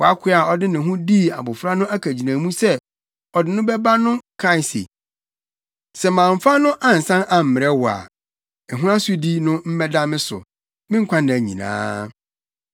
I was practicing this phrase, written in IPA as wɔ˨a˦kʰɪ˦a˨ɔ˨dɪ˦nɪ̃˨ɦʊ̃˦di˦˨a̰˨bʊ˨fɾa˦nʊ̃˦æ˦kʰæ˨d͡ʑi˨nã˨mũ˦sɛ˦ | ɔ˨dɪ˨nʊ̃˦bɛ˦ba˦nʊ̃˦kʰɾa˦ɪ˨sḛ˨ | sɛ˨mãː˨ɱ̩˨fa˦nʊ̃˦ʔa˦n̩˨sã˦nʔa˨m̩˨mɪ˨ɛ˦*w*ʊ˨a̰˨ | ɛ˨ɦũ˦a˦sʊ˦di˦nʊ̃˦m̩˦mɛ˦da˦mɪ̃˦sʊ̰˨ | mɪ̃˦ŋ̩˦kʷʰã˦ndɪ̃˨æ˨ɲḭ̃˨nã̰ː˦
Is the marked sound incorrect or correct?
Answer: correct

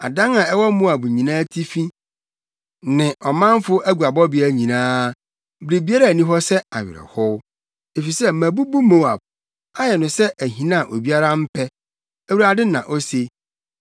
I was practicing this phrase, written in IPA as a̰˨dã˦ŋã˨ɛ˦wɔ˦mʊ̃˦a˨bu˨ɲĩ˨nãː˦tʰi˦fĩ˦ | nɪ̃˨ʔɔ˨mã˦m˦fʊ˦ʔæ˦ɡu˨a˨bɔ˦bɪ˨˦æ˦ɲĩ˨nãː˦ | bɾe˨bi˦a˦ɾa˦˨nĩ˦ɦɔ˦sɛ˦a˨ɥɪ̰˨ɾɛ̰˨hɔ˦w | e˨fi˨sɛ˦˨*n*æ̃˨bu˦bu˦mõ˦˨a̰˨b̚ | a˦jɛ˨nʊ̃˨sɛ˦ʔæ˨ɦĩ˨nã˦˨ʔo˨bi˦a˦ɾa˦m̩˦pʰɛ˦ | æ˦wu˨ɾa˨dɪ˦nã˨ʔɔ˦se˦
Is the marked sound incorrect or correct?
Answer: incorrect: m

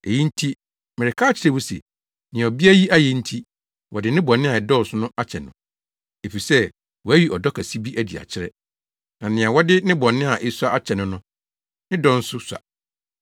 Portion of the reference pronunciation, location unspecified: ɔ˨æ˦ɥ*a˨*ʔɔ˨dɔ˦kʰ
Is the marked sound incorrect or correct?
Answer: incorrect: i˨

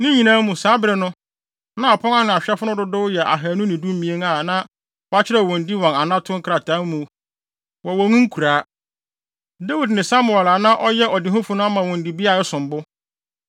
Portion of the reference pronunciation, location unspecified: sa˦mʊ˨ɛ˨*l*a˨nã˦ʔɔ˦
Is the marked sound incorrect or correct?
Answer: correct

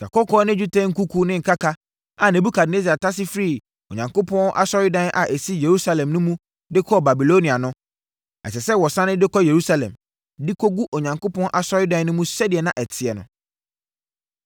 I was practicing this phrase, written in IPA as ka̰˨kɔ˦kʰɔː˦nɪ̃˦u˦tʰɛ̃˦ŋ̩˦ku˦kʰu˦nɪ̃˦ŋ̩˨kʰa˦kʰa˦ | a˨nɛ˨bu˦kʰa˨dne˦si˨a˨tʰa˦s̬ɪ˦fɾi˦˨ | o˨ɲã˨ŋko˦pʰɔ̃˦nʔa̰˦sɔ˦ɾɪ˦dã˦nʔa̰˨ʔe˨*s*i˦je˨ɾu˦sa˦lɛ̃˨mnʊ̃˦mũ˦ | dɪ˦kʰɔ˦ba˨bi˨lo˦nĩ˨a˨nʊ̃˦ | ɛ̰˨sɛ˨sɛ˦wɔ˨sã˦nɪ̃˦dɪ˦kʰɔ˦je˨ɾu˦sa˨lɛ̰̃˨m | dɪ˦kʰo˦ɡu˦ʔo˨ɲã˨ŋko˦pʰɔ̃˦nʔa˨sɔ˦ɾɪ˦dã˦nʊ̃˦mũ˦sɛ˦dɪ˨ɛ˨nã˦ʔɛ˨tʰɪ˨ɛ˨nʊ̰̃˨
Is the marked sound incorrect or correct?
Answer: correct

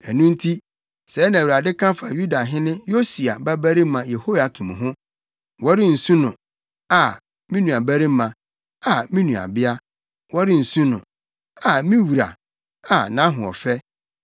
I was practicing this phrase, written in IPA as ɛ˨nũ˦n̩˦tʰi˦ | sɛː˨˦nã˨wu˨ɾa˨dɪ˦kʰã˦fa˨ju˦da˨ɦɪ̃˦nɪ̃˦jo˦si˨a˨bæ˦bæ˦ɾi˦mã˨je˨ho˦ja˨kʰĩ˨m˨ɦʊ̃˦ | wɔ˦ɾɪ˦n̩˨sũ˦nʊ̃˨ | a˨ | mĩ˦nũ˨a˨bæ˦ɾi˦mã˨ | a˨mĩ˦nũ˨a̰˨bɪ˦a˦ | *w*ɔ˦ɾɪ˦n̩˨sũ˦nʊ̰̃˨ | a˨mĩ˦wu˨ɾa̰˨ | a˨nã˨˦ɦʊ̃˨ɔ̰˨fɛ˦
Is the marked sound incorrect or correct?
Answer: correct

